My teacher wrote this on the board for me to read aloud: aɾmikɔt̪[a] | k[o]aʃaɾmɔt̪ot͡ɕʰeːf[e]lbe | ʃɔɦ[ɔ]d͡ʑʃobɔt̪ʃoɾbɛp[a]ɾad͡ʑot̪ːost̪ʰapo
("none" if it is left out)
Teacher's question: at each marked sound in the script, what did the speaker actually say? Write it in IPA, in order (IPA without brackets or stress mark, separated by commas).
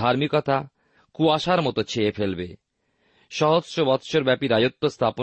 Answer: a, u, e, o, i